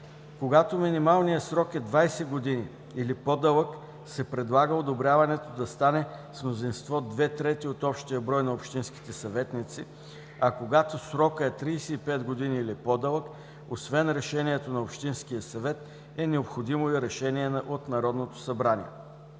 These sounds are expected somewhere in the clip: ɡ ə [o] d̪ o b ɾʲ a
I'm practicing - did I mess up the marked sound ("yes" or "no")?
no